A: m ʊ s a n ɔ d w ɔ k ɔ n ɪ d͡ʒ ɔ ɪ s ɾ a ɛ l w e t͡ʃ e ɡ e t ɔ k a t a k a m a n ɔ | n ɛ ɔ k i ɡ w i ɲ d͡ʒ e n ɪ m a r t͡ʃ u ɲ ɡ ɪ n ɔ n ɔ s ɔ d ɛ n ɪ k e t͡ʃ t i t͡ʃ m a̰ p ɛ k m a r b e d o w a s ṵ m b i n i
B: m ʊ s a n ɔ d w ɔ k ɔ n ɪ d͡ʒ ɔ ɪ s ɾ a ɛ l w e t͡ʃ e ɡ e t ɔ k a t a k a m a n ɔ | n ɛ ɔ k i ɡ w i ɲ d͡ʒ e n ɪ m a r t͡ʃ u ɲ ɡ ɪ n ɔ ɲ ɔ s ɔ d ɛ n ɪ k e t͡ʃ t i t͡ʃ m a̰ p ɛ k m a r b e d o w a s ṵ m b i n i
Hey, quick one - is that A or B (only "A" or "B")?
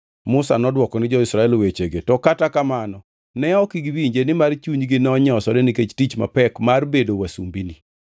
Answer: B